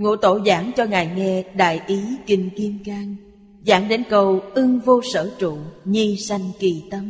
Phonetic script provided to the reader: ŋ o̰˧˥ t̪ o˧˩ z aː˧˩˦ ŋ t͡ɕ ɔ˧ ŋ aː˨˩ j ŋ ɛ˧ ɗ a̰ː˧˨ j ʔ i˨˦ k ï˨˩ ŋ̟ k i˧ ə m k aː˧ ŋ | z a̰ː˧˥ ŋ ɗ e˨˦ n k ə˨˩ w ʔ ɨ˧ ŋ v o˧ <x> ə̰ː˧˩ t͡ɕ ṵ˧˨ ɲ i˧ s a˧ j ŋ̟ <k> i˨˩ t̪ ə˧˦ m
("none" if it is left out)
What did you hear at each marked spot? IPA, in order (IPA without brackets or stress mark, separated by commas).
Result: s, k